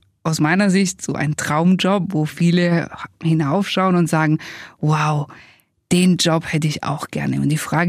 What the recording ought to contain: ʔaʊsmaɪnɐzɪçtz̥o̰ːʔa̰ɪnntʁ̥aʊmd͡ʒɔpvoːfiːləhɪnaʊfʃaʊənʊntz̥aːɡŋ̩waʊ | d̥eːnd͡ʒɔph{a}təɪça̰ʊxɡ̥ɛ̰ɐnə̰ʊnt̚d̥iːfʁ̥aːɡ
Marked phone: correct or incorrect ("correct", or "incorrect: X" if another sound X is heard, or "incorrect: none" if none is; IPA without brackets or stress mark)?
incorrect: ɛ